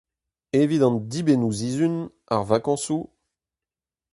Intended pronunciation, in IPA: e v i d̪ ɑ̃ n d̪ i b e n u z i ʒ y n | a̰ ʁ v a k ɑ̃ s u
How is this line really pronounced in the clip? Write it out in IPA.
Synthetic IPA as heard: e v i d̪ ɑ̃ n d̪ i b e n u z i z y n | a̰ ʁ v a k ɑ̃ s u